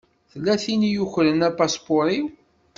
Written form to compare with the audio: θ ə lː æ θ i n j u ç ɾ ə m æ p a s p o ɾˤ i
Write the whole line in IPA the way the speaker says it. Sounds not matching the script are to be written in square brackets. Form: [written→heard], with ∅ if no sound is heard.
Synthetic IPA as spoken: θ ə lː æ θ i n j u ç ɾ ə [m→n] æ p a s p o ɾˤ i

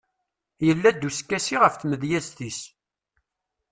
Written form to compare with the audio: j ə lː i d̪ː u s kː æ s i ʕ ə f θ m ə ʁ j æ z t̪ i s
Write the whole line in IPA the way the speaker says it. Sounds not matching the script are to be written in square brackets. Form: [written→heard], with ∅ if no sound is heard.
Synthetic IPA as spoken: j ə lː [i→æ] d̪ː u s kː æ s i [ʕ→ʁ] ə f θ m ə [ʁ→ð] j æ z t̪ i s

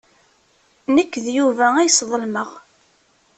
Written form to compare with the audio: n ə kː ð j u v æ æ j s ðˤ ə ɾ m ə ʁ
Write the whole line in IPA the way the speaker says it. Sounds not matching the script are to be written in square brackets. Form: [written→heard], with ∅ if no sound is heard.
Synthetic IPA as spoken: n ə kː ð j u v æ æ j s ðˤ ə [ɾ→l] m ə ʁ

